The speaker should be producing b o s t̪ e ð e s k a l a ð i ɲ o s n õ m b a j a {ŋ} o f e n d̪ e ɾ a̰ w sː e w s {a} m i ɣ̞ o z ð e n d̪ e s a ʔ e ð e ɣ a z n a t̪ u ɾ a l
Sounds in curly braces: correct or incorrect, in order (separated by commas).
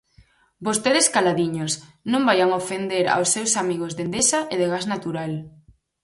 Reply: correct, correct